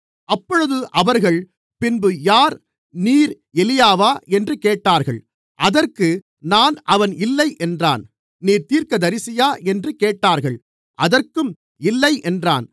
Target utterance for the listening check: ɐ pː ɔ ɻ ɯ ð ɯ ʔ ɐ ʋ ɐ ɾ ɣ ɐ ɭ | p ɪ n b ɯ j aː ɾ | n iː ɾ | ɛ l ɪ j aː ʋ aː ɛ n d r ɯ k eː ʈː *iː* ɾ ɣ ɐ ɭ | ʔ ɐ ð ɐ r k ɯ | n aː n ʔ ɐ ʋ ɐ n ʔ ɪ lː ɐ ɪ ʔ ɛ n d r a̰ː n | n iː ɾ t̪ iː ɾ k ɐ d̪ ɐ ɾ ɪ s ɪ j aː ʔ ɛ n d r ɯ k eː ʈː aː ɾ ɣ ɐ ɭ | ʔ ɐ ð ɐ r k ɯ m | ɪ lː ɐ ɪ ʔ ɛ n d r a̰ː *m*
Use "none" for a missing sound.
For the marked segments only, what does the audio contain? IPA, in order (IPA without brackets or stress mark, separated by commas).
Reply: aː, n